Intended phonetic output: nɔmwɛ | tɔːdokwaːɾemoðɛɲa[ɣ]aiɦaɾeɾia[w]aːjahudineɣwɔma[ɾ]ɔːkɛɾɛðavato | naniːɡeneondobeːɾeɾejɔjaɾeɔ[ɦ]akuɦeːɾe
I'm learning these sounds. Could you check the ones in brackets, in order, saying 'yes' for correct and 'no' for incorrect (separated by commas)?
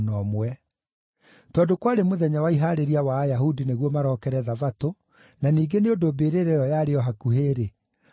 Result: no, yes, yes, yes